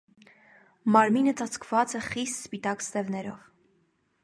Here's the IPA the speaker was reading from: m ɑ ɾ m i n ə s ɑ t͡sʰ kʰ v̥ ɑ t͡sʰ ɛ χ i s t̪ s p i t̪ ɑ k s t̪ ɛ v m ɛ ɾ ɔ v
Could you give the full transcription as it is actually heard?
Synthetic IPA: m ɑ ɾ m i n ə t͡s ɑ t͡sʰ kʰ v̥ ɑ t͡s ɛ χ i s t̪ s p i t̪ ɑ k s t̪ ɛ v n ɛ ɾ ɔ v